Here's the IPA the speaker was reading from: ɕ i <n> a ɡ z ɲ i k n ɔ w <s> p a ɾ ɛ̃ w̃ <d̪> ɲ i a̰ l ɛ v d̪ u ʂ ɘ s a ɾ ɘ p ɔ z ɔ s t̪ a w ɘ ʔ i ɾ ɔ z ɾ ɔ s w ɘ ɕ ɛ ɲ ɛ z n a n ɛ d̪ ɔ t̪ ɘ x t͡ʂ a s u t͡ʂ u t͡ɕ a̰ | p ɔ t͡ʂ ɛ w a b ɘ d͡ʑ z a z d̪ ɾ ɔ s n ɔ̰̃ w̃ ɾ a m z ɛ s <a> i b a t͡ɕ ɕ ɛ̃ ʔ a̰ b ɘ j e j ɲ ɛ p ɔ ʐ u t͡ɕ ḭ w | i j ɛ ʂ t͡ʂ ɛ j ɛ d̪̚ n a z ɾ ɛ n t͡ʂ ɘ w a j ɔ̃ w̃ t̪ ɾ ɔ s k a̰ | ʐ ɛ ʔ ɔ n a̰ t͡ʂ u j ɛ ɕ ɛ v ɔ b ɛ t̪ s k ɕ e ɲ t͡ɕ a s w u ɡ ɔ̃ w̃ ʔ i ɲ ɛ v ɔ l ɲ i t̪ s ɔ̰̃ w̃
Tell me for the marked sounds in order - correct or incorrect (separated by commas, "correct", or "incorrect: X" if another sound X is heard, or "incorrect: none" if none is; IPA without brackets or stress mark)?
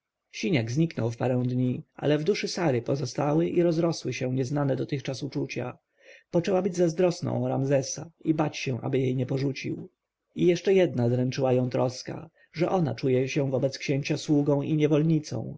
incorrect: ɲ, incorrect: f, correct, correct